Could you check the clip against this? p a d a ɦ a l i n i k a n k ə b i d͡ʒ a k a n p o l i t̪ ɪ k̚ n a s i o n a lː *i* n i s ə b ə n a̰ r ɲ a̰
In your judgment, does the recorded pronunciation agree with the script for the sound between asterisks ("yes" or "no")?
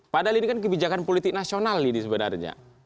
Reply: yes